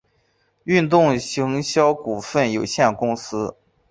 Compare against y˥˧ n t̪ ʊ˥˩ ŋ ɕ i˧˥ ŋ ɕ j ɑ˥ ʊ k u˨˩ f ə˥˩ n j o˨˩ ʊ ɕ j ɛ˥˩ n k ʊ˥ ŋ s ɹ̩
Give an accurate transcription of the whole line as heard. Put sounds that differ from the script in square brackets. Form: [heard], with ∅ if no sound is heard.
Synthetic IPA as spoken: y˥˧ n t̪ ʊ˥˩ ŋ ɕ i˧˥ ŋ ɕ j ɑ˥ ʊ k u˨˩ f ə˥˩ n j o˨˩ ʊ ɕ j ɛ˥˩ n k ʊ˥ ŋ s ɹ̩